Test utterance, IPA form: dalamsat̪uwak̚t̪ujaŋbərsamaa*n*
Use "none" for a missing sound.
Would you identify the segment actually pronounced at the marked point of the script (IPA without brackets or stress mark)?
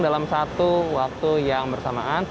n